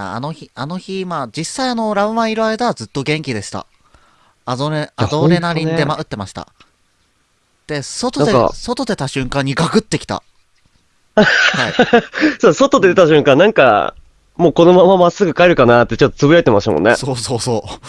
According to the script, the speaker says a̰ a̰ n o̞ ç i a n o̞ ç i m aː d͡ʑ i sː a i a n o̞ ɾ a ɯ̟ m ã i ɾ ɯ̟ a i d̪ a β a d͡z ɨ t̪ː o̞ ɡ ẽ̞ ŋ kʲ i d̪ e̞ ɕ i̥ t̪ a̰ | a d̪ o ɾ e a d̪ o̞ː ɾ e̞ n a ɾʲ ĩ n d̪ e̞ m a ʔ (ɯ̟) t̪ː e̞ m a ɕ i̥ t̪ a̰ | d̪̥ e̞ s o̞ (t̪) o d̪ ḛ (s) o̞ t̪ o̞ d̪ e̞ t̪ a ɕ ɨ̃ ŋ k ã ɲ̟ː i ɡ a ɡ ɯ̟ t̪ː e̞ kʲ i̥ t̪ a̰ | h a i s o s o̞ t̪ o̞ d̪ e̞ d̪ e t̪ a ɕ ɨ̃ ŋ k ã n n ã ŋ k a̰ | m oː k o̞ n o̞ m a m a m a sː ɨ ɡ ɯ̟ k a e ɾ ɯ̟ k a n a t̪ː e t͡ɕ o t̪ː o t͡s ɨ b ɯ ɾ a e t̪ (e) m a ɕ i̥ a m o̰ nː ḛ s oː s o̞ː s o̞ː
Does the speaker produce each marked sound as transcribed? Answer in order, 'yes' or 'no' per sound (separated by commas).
yes, yes, yes, yes